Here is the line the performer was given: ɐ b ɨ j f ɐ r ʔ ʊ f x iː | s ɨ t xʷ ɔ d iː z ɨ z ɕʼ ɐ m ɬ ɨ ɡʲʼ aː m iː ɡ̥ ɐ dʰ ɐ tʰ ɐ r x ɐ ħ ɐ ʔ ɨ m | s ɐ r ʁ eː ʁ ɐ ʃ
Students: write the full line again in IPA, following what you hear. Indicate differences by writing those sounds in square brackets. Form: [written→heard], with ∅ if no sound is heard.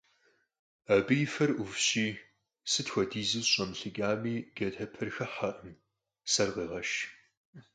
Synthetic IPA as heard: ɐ b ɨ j f ɐ r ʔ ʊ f [x→ɕ] iː | s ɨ t xʷ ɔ d iː z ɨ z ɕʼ ɐ m ɬ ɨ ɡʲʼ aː m iː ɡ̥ ɐ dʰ ɐ [tʰ→pʰ] ɐ r x ɐ ħ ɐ ʔ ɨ m | s ɐ r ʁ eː ʁ ɐ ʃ